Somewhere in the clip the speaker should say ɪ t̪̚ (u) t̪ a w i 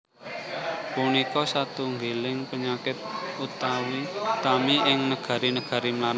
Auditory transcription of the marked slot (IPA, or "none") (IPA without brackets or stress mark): u